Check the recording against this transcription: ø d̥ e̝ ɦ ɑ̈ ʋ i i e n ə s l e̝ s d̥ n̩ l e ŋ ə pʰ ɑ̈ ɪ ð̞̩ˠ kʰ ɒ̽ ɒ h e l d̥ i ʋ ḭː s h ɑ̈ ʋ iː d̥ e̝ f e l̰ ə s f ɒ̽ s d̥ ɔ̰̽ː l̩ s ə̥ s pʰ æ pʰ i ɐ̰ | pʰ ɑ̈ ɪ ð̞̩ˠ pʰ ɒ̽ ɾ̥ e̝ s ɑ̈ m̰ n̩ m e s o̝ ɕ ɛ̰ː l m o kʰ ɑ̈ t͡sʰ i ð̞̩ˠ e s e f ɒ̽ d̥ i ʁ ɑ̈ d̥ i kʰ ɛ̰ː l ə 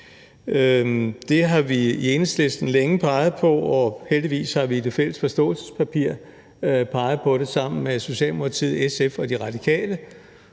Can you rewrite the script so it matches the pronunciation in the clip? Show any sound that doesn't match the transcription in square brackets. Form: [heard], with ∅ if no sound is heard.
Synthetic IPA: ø d̥ e̝ ɦ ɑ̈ ʋ i i e n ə s l e̝ s d̥ n̩ l e ŋ ə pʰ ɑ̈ ɪ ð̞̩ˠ [pʰ] ɒ̽ ɒ h e l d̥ i ʋ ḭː s h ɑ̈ ʋ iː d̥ e̝ f e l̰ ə s f ɒ̽ s d̥ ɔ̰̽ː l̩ s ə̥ s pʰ æ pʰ i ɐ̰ | pʰ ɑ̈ ɪ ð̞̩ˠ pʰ ɒ̽ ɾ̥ e̝ s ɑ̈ m̰ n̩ m e s o̝ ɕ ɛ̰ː l m o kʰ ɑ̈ t͡sʰ i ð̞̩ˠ e s e f ɒ̽ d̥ i ʁ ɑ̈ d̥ i kʰ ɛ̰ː l ə

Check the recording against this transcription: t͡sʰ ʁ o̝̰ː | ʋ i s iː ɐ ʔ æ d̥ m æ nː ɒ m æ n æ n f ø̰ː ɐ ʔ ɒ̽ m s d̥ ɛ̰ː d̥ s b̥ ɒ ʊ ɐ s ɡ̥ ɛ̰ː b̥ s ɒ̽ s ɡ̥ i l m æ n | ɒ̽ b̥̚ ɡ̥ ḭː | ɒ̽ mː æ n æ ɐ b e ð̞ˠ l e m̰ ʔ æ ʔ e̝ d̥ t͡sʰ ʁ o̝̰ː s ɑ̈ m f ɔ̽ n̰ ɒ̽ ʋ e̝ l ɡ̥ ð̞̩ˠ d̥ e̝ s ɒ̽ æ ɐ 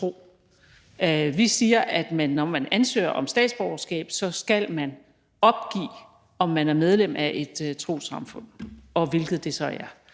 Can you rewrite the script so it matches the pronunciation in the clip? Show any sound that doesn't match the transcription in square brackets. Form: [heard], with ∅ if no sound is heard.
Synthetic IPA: t͡sʰ ʁ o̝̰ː | ʋ i s iː ɐ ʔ æ d̥ m æ nː ɒ m æ n æ n [s] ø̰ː ɐ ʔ ɒ̽ m s d̥ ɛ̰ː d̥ s b̥ ɒ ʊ ɐ s ɡ̥ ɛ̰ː b̥ s ɒ̽ s ɡ̥ [æ] l m æ n | ɒ̽ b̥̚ ɡ̥ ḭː | ɒ̽ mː æ n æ ɐ [m] e ð̞ˠ l e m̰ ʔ æ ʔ e̝ d̥ t͡sʰ ʁ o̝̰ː s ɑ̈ m f ɔ̽ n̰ ɒ̽ ʋ e̝ l ɡ̥ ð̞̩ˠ d̥ e̝ s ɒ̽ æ ɐ

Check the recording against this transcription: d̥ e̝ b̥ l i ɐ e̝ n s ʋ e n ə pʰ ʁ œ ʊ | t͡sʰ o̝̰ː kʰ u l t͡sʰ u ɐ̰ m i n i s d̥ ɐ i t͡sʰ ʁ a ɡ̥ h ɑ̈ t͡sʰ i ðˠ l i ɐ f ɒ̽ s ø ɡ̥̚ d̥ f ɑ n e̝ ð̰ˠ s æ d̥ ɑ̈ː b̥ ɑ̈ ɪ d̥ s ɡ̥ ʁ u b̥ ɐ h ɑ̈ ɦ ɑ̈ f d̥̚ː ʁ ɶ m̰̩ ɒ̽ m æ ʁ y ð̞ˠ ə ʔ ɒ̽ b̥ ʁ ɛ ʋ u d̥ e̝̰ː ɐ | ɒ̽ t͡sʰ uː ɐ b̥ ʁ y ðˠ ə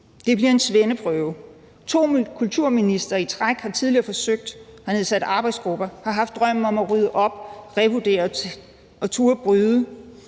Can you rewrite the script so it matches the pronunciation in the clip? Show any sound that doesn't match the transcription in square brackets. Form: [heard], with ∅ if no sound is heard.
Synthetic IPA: d̥ e̝ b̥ l i ɐ e̝ n s ʋ e n ə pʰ ʁ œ ʊ | t͡sʰ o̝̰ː kʰ u l t͡sʰ u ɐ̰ m i n i s d̥ ɐ i t͡sʰ ʁ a ɡ̥ h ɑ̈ t͡sʰ i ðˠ l i ɐ f ɒ̽ s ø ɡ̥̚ d̥ [h] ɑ n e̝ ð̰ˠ s æ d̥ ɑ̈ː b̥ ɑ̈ ɪ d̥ s ɡ̥ ʁ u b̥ ɐ h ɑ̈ ɦ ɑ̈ f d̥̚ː ʁ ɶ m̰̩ ɒ̽ m æ ʁ y ð̞ˠ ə ʔ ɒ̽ b̥ ʁ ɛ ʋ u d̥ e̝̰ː ɐ | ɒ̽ t͡sʰ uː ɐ b̥ ʁ y ðˠ ə

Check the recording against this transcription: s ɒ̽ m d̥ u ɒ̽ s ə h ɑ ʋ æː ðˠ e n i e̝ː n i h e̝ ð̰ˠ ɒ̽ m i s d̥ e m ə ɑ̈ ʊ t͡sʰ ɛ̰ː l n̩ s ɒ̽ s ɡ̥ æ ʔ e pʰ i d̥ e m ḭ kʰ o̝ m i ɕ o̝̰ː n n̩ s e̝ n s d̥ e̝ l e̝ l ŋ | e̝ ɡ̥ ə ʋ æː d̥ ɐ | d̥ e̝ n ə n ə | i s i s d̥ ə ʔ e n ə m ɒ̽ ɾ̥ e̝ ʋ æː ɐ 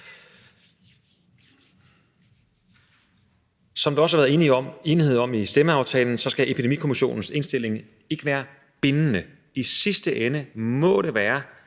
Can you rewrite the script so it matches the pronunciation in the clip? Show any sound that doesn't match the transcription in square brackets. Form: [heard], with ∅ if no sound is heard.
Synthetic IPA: s ɒ̽ m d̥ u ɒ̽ s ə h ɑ ʋ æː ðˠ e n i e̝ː n i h e̝ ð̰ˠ ɒ̽ m i s d̥ e m ə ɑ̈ ʊ t͡sʰ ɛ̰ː l n̩ s ɒ̽ s ɡ̥ æ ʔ e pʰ i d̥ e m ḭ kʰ o̝ m i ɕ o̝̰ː n n̩ s e̝ n s d̥ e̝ l e̝ [∅] ŋ | e̝ ɡ̥ ə ʋ æː [∅] ɐ | [b̥] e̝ n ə n ə | i s i s d̥ ə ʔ e n ə m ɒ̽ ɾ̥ e̝ ʋ æː ɐ

